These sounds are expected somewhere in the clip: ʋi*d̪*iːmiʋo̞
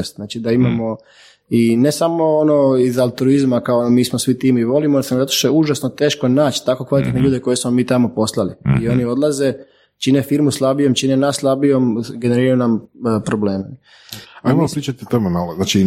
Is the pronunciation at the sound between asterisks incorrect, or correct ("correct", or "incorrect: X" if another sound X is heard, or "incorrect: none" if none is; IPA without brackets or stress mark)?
incorrect: t̪